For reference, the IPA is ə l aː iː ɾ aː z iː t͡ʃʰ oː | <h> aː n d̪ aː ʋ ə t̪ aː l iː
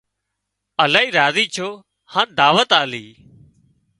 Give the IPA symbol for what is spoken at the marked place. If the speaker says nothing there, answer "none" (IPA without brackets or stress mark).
h